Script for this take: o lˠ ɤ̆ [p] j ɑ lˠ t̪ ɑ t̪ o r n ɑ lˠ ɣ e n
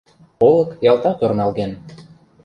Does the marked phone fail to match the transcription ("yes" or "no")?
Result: yes